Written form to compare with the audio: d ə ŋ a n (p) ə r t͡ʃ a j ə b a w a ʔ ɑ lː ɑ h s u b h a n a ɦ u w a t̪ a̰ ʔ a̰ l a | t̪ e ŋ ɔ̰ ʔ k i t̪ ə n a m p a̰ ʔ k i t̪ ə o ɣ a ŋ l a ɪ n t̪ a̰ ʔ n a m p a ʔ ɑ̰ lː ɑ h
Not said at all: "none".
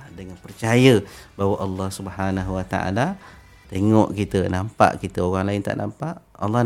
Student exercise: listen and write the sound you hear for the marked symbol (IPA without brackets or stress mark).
p